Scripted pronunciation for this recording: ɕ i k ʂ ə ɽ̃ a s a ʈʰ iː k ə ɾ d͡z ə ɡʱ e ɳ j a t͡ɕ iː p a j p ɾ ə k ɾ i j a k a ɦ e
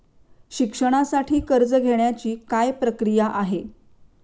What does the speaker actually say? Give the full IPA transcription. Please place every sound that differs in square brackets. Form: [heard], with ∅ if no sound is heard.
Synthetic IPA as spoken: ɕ i k ʂ ə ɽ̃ a s a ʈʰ iː k ə ɾ d͡z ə ɡʱ e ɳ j a t͡ɕ iː [k] a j p ɾ ə k ɾ i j a [ʔ] a ɦ e